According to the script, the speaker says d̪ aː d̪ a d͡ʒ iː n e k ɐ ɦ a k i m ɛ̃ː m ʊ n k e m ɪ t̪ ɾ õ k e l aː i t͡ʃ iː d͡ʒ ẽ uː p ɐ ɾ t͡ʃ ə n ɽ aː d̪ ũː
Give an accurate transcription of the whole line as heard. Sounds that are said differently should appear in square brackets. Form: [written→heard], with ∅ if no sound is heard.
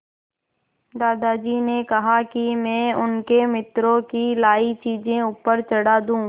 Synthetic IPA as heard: d̪ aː d̪ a d͡ʒ iː n e k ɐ ɦ a k i m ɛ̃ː [m→∅] ʊ n k e m ɪ t̪ ɾ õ k [e→i] l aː i t͡ʃ iː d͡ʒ ẽ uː p [ɐ→ə] ɾ t͡ʃ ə [n→∅] ɽ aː d̪ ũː

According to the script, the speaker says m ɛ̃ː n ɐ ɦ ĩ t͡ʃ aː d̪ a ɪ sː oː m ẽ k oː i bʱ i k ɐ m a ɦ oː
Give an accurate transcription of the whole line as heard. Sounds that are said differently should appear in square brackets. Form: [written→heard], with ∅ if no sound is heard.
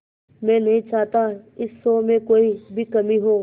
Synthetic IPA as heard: m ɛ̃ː n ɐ ɦ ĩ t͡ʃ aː [d̪→t̪] a ɪ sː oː m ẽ k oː i bʱ i k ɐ m [a→i] ɦ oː

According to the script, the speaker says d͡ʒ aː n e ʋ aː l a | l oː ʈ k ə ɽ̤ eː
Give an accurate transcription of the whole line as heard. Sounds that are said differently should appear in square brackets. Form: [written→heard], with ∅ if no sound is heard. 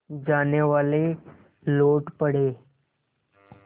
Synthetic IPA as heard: d͡ʒ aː n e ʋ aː l [a→e] | l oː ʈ [k→p] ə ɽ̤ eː

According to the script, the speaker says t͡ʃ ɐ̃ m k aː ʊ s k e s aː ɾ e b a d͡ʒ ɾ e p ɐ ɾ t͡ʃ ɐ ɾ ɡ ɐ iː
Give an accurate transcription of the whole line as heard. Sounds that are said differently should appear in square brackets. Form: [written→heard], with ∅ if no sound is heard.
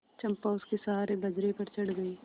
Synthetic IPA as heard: t͡ʃ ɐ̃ m [k→p] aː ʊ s k e s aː ɾ e b [a→ɐ] d͡ʒ ɾ e p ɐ ɾ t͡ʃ ɐ [ɾ→ɽ] ɡ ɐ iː

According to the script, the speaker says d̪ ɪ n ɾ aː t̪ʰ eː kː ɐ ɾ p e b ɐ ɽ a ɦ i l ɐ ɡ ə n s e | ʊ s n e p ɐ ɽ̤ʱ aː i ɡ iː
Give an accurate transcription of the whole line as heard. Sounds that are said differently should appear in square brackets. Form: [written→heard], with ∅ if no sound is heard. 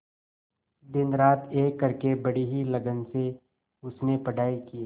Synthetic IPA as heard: d̪ ɪ n ɾ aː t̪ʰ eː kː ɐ ɾ [p→k] e b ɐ ɽ [a→i] ɦ i l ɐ ɡ ə n s e | ʊ s n e p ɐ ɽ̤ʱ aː i [ɡ→k] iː

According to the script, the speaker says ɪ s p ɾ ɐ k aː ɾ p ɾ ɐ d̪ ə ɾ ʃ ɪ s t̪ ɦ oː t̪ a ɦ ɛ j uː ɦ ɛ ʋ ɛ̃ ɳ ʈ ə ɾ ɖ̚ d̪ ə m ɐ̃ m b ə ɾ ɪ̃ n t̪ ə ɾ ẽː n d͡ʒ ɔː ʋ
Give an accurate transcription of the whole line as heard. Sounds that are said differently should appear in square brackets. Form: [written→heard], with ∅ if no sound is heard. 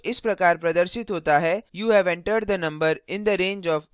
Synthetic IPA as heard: ɪ s p ɾ ɐ k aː ɾ p ɾ ɐ d̪ ə ɾ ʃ ɪ [s→∅] t̪ ɦ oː t̪ a ɦ ɛ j uː ɦ ɛ ʋ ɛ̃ ɳ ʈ ə ɾ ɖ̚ d̪ ə [m→n] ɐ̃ m b ə ɾ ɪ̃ n [t̪→d̪] ə ɾ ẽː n d͡ʒ ɔː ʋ

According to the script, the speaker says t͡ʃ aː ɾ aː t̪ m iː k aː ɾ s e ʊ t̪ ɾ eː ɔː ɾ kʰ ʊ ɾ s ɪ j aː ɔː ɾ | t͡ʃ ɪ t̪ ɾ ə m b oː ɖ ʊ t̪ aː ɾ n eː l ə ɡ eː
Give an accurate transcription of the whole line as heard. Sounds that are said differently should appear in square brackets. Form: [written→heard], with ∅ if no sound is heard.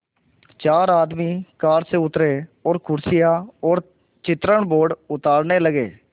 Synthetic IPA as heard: t͡ʃ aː ɾ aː [t̪→d̪] m iː k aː ɾ s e ʊ t̪ ɾ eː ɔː ɾ kʰ ʊ ɾ s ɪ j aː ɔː ɾ | t͡ʃ ɪ t̪ ɾ ə [m→ɳ] b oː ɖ ʊ t̪ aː ɾ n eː l ə ɡ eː

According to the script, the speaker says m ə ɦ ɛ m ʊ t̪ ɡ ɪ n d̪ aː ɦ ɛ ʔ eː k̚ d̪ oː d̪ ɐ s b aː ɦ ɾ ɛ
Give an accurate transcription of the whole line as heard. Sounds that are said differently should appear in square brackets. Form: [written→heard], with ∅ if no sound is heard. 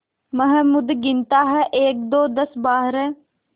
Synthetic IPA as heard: m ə ɦ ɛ m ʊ [t̪→d̪] ɡ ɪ n [d̪→t̪] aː ɦ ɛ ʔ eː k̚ d̪ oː d̪ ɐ s b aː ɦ ɾ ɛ

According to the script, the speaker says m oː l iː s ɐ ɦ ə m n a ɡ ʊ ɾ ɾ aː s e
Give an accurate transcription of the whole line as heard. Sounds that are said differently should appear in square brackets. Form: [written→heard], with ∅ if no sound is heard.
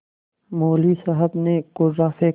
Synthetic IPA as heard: m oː l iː s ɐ ɦ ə [m→b] n [a→e] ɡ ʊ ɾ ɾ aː [s→f] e

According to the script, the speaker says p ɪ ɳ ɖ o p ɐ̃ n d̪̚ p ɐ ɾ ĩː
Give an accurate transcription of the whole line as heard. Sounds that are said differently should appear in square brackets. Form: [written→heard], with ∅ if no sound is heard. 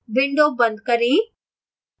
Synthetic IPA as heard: [p→b] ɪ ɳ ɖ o [p→b] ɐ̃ n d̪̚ [p→k] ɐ ɾ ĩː

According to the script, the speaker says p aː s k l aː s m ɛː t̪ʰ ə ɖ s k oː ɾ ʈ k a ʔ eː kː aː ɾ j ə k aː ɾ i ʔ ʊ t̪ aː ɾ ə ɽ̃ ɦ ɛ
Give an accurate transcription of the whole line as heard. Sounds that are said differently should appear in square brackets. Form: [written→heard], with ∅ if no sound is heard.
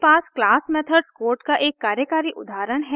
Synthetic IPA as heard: p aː s k l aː s m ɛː t̪ʰ ə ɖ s k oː ɾ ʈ k a ʔ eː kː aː ɾ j ə k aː ɾ i ʔ ʊ [t̪→d̪] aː ɾ ə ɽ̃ ɦ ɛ

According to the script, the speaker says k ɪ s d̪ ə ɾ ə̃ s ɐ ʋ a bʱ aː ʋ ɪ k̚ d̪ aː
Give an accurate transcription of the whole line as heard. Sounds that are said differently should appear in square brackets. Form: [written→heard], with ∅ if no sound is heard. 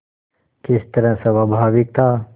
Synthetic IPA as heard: k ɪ s [d̪→t̪] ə ɾ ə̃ s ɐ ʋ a bʱ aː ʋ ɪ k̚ [d̪→t̪] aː

